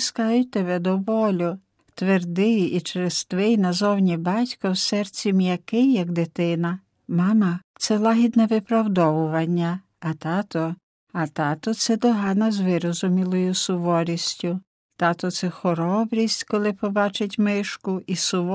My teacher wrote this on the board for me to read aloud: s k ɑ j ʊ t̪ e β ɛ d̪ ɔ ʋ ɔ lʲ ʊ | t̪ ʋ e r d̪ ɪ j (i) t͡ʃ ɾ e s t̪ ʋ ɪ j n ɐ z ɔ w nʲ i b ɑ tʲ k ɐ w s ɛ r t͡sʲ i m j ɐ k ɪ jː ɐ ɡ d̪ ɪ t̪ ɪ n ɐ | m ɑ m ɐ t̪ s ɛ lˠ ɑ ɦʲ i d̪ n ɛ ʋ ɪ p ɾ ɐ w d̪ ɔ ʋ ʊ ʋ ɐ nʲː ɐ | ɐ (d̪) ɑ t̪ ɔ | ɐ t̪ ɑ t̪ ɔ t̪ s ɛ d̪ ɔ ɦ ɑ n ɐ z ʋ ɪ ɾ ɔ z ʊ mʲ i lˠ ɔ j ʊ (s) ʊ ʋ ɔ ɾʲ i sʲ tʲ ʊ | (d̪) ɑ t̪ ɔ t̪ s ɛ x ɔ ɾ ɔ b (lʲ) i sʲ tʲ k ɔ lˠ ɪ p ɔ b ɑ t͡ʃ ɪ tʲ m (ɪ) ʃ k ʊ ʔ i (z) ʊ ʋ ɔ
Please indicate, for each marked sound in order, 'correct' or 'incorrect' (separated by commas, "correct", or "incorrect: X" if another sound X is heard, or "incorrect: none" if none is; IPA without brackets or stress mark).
correct, incorrect: t̪, correct, incorrect: t̪, incorrect: ɾʲ, correct, incorrect: s